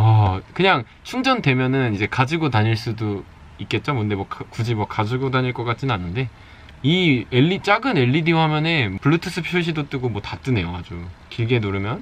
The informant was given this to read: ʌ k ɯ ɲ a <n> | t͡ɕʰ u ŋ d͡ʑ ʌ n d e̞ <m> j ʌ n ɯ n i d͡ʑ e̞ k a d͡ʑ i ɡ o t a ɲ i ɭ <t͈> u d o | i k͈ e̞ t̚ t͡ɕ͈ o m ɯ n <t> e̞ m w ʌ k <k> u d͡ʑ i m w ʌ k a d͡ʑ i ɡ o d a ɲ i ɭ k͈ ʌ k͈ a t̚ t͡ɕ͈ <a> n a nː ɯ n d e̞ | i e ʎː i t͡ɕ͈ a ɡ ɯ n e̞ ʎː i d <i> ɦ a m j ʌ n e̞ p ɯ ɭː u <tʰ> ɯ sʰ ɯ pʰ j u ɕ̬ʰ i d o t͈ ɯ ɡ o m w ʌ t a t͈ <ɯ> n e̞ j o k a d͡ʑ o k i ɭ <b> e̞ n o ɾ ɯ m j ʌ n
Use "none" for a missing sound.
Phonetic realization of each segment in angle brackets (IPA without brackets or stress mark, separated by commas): ŋ, m, s͈, d, k, i, i, tʰ, ɯ, ɡ